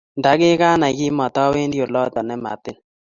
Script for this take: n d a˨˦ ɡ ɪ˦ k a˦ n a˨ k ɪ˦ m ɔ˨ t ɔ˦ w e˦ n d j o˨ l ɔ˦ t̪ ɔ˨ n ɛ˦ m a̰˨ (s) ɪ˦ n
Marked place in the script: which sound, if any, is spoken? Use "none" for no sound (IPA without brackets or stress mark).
t